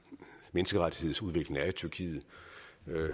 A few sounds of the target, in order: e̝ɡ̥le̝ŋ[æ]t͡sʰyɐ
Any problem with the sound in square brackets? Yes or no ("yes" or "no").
no